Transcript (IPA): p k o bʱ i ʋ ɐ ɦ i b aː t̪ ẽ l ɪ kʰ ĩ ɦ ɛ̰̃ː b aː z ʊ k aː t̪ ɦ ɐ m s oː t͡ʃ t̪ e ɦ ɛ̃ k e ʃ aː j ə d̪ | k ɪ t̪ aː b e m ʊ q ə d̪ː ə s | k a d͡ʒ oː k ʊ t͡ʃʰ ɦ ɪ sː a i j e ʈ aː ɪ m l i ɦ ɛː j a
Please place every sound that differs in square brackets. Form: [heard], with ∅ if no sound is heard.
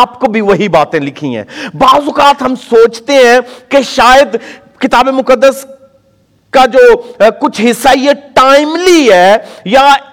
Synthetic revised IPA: p k o bʱ i ʋ ɐ ɦ i b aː t̪ ẽ l ɪ kʰ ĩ ɦ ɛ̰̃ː b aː z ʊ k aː t̪ ɦ ɐ m s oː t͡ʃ t̪ e ɦ ɛ̃ k e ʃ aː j ə d̪ | k ɪ t̪ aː b e m ʊ [k] ə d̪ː ə s | k a d͡ʒ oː k ʊ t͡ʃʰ ɦ ɪ sː a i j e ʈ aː ɪ m l i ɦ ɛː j a